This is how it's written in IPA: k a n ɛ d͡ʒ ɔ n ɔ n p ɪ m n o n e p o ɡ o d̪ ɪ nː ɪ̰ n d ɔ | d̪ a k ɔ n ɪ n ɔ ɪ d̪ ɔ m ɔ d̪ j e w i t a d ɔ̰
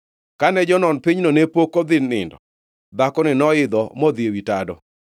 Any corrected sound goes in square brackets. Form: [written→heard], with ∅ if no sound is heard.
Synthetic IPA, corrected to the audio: k a n ɛ d͡ʒ ɔ n ɔ n p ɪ [m→ɲ] n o n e p o [ɡ→k] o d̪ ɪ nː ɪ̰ n d ɔ | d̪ a k ɔ n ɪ n ɔ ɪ d̪ ɔ m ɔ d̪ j e w i t a d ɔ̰